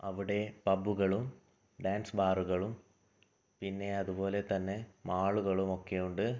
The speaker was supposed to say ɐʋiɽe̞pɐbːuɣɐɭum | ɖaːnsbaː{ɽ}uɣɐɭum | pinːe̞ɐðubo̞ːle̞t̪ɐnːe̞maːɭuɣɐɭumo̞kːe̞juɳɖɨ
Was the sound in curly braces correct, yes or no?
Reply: no